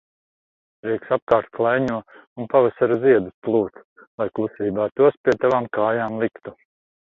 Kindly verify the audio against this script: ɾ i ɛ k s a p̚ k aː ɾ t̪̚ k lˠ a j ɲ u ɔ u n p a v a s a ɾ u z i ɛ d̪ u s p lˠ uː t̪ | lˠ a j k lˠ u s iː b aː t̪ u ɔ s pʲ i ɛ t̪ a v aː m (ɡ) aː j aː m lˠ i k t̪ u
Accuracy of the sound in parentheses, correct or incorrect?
incorrect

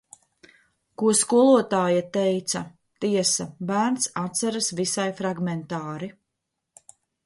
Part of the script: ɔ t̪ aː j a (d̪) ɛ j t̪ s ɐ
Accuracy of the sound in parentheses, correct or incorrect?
incorrect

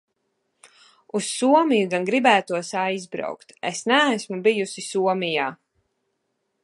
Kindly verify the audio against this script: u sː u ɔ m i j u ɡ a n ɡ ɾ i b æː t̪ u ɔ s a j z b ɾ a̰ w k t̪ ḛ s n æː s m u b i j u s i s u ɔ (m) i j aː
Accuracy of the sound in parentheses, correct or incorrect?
correct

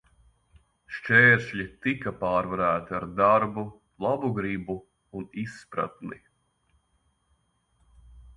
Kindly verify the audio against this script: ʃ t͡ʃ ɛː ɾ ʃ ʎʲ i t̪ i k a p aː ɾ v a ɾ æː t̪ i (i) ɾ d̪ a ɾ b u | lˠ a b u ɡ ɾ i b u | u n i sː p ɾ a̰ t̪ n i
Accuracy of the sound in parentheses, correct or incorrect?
incorrect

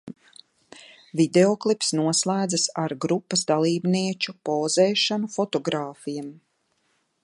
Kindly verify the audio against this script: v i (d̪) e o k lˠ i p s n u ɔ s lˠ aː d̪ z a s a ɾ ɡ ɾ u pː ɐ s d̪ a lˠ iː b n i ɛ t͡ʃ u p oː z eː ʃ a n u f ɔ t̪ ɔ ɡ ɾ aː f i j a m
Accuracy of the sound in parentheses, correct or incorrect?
correct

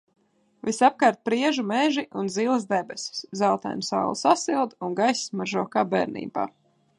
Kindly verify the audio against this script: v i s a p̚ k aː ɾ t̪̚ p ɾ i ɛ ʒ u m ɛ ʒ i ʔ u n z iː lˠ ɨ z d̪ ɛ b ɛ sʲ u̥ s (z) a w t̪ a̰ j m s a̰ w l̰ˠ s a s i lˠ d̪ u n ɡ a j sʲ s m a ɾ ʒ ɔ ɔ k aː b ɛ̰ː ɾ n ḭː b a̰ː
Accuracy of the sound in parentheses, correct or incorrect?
correct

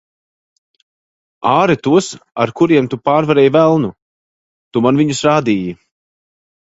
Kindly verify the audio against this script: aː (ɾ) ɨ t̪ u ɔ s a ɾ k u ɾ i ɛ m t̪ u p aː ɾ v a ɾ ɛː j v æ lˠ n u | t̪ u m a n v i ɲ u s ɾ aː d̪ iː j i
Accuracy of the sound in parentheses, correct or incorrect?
correct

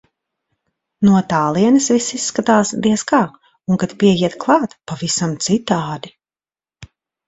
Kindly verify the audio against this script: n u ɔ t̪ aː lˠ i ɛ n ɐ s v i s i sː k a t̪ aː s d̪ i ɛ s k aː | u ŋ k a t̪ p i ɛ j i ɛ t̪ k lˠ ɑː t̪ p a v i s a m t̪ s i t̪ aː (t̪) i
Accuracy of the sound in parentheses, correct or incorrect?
incorrect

